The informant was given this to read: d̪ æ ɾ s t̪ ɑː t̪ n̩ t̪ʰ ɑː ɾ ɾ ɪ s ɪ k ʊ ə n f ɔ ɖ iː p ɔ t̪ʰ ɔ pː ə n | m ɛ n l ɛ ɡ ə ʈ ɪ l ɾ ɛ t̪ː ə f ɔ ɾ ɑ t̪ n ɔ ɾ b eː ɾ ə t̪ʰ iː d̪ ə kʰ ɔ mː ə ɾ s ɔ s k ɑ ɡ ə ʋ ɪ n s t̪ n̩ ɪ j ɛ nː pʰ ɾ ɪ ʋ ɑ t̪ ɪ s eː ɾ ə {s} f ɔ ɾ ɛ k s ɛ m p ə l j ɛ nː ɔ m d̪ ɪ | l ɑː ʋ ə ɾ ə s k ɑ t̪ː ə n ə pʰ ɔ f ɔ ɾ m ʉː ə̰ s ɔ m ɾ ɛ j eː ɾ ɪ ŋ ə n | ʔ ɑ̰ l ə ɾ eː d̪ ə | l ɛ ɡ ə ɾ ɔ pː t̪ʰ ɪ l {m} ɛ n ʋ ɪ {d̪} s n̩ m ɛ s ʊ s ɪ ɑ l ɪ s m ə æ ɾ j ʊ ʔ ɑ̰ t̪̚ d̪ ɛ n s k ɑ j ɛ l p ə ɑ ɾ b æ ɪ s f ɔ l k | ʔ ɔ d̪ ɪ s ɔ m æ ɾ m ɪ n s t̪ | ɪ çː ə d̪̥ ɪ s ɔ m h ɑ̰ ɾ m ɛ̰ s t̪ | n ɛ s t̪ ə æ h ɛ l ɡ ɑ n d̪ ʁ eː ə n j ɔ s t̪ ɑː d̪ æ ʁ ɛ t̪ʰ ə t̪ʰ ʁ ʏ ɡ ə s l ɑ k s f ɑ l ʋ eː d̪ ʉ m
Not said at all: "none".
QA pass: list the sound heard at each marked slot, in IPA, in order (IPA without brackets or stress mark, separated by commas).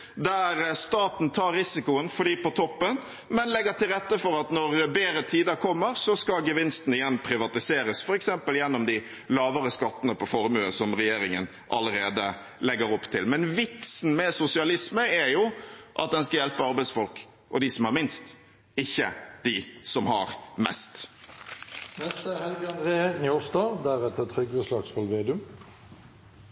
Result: s, m, t̪